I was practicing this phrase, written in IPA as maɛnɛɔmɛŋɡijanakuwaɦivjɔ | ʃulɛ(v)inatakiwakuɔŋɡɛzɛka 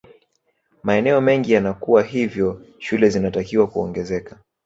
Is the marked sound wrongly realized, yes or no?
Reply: yes